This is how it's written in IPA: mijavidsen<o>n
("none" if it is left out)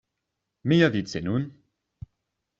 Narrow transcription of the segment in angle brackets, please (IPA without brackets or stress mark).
u